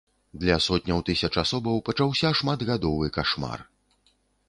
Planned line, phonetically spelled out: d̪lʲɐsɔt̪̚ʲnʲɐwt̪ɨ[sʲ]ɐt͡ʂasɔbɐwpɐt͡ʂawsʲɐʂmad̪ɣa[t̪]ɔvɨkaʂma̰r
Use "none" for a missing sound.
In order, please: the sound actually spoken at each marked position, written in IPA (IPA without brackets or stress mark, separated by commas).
sʲ, d̪